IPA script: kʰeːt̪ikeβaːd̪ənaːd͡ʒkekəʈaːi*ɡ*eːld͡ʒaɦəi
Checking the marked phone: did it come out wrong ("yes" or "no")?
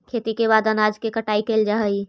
yes